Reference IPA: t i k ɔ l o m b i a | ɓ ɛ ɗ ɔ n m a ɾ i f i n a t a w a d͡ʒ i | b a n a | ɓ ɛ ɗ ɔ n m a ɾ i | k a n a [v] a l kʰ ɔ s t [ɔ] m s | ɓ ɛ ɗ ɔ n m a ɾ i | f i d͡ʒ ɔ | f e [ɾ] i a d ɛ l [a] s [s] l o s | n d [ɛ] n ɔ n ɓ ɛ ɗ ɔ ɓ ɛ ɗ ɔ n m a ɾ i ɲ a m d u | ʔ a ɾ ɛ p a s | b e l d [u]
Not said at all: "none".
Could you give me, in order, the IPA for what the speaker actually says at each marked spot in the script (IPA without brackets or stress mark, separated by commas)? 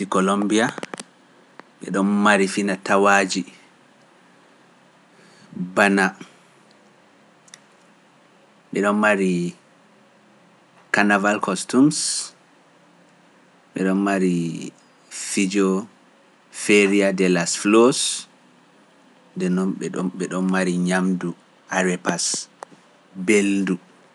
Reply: v, u, ɾ, a, f, ɛ, u